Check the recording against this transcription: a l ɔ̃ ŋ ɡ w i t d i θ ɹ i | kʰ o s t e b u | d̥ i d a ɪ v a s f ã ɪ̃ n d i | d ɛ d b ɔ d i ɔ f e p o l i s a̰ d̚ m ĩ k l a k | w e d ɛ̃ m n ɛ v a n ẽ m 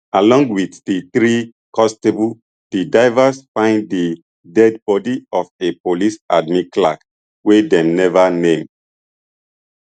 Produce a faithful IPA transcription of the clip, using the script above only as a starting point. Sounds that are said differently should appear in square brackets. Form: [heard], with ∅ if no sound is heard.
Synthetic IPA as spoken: a l ɔ̃ ŋ ɡ w i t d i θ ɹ i | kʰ [ɔ] s t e b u | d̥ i d a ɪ v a s f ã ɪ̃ n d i | d ɛ d b ɔ d i ɔ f e p o l i s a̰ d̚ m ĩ k l a k | w e d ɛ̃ m n ɛ v a n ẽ m